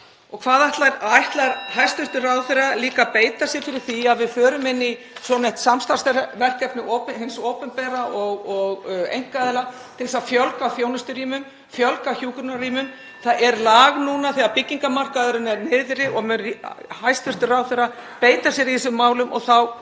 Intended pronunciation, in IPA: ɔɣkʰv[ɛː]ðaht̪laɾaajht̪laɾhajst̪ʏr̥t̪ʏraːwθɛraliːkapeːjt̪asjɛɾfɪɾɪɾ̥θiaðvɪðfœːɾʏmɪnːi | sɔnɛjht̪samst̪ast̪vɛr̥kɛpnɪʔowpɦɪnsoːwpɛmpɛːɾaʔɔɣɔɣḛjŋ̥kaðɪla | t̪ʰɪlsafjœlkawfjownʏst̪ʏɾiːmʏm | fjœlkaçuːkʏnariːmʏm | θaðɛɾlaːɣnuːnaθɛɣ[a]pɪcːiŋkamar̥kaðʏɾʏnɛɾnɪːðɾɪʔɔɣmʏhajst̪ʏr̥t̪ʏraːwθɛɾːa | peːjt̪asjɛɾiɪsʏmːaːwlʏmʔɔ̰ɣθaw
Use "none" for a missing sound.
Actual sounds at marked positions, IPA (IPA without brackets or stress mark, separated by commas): aː, a